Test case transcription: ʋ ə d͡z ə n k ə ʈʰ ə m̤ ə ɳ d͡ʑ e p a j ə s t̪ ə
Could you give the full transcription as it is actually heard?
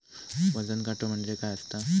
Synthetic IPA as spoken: ʋ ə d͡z ə n k a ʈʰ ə m̤ ə ɳ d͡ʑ e k a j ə s t̪ a

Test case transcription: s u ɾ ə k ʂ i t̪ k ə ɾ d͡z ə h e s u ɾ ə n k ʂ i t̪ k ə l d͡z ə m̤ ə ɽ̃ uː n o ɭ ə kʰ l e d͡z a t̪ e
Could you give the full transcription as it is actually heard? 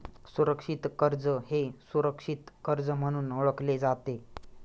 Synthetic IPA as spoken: s u ɾ ə k ʂ i t̪ k ə ɾ d͡z ə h e s u ɾ ə k ʂ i t̪ k ə ɾ d͡z ə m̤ ə ɽ̃ uː n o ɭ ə k l e d͡z a t̪ e

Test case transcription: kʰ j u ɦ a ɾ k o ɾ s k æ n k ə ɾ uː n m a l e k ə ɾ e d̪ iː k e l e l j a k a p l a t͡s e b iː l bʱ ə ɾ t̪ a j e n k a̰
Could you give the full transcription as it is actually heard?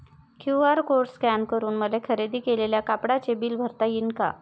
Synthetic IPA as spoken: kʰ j u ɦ a ɾ k o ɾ s k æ n k ə ɾ uː n m ə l e kʰ ə ɾ e d̪ iː k e l e l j a k a p ɽ a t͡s e b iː l bʱ ə ɾ t̪ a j i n k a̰

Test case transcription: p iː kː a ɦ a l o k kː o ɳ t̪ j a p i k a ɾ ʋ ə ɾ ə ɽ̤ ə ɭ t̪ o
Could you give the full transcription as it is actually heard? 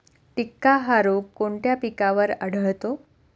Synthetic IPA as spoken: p i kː a ɦ a ɾ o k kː o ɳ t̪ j a p i k a ʋ ə ɾ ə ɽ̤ ə ɭ t̪ o

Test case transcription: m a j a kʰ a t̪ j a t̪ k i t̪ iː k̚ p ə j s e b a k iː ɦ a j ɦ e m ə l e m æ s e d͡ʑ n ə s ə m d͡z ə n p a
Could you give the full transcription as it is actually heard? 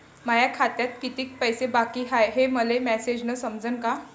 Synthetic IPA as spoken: m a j a kʰ a t̪ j a t̪ k i t̪ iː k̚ p ə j s e b a k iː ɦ a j ɦ e m ə l e m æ s e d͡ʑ n ə s ə m d͡z ə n k a

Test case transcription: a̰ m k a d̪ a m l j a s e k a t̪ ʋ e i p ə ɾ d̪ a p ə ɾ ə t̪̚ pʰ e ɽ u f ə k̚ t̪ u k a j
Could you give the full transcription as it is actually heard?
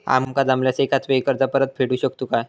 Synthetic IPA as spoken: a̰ m k a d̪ a m l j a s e k a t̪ ʋ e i k ə ɾ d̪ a p ə ɾ ə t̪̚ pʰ e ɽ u ɕ ə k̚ t̪ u k a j

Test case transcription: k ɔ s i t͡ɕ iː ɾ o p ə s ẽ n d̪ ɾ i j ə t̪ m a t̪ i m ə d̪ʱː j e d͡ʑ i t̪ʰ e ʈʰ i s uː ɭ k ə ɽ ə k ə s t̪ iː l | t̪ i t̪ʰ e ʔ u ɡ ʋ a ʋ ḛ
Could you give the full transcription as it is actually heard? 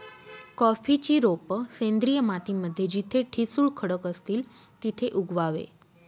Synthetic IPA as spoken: k ɔ f i t͡ɕ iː ɾ o p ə s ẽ n d̪ ɾ i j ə m a t̪ i m ə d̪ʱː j e d͡ʑ i t̪ʰ e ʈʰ i s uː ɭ kʰ ə ɽ ə k ə s t̪ iː l | t̪ i t̪ʰ e ʔ u ɡ ʋ a ʋ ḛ

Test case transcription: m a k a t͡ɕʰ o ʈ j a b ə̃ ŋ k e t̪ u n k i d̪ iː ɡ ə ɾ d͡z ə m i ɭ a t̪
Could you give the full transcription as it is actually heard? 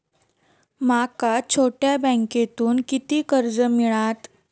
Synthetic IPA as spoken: m a k a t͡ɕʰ o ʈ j a b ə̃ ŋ k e t̪ uː n k i t̪ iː k ə ɾ d͡z ə m i ɭ a t̪

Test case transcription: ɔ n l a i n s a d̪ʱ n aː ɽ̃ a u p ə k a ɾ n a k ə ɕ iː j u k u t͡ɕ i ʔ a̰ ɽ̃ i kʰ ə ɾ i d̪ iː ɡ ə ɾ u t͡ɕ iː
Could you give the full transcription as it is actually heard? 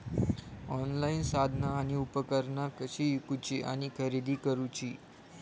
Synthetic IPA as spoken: ɔ n l a i n s a d̪ʱ n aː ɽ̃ i u p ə k ə ɾ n a k ə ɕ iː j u k u t͡ɕ i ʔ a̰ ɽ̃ i kʰ ə ɾ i d̪ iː k ə ɾ u t͡ɕ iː

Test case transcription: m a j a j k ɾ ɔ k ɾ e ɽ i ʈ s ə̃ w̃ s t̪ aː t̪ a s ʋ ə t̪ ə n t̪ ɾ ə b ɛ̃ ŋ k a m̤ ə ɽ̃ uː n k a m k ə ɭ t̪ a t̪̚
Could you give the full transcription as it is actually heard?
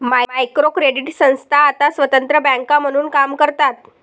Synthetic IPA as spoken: m a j a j k ɾ o k ɾ e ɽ i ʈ s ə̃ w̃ s t̪ʰ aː t̪ a s ʋ ə t̪ ə n t̪ ɾ ə b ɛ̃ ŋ k a m̤ ə ɽ̃ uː n k a m k ə ɾ t̪ a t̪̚

